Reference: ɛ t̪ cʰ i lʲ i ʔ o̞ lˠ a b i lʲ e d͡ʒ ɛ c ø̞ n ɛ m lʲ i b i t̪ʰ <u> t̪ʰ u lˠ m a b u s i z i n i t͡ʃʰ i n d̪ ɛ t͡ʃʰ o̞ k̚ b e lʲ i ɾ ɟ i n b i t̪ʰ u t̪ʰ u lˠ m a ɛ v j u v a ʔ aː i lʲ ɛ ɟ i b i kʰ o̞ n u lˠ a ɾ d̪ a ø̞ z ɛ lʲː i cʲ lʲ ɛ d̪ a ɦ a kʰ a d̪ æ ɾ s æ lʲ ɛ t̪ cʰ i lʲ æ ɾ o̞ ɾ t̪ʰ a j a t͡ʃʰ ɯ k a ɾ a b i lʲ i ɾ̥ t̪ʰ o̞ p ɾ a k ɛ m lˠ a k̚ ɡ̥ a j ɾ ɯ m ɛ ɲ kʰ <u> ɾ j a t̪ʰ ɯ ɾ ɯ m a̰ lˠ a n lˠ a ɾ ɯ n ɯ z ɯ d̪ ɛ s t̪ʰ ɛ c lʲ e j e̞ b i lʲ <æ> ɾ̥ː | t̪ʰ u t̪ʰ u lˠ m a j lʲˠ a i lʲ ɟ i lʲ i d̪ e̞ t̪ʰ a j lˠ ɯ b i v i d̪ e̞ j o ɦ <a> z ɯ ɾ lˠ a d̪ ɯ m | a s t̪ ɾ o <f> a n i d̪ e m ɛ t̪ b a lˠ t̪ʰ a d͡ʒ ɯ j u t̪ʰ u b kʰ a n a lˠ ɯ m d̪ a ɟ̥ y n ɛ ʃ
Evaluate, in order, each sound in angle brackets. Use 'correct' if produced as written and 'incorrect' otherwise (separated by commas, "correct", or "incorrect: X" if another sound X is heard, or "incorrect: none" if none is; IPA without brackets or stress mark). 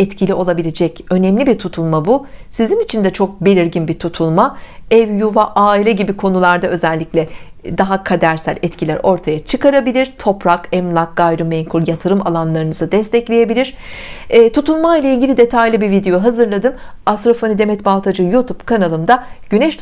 correct, correct, incorrect: i, correct, correct